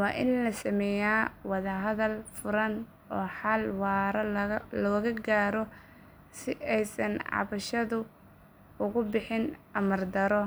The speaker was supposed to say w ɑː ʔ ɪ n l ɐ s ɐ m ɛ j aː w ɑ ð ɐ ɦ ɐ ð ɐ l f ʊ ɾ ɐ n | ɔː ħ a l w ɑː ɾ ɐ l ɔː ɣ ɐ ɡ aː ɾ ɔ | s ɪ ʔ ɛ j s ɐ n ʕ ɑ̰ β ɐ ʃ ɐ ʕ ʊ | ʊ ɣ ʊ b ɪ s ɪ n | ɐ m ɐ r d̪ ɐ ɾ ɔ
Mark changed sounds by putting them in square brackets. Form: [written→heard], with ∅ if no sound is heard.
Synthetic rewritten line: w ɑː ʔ ɪ n l ɐ s ɐ m ɛ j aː w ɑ ð ɐ ɦ ɐ ð ɐ l f ʊ ɾ ɐ n | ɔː ħ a l w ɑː ɾ ɐ l ɔː ɣ ɐ ɡ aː ɾ ɔ | s ɪ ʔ ɛ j s ɐ n ʕ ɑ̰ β ɐ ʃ ɐ [ʕ→ð] ʊ | ʊ ɣ ʊ b ɪ [s→ħ] ɪ n | ɐ m ɐ r d̪ ɐ ɾ ɔ